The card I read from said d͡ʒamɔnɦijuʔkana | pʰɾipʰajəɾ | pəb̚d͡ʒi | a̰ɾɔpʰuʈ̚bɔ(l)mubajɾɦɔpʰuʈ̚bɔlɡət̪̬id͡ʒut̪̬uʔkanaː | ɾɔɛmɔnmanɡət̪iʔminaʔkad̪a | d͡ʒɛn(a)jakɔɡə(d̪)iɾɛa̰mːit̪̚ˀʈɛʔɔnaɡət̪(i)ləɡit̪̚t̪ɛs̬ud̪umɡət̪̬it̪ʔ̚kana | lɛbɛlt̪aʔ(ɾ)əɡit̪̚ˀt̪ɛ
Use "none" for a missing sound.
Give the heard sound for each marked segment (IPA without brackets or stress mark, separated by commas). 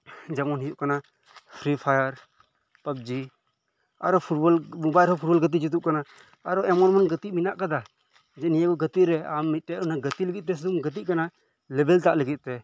l, i, t̪, i, l